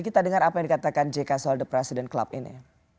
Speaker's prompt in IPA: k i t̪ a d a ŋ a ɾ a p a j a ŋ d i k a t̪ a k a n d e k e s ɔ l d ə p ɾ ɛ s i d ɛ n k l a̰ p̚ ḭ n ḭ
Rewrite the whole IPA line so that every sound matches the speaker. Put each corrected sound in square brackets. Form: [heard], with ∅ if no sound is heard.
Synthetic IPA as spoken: k i t̪ a d [ə] ŋ a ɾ a p a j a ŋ d i k a t̪ a k a n [d͡ʒ] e k [a] s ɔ l d ə p ɾ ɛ s i d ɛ n k l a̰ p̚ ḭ n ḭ